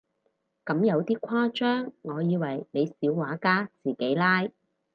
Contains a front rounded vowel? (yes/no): yes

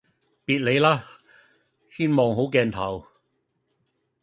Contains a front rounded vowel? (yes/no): no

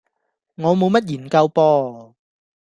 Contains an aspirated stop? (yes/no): no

